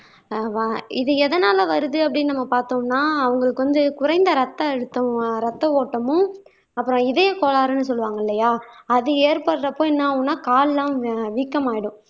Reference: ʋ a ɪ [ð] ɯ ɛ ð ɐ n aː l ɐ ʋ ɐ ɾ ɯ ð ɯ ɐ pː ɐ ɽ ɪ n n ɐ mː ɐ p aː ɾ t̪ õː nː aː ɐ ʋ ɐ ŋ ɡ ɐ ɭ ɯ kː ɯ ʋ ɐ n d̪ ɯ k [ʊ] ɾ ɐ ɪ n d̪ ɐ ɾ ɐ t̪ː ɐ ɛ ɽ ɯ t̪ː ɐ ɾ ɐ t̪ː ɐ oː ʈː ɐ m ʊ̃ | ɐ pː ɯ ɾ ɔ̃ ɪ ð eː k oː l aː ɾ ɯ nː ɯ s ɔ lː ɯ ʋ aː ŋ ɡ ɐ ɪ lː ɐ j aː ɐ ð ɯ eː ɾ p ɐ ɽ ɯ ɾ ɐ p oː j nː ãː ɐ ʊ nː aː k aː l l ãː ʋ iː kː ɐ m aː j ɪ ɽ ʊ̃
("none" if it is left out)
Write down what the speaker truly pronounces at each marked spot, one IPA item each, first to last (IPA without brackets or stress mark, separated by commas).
ð, ʊ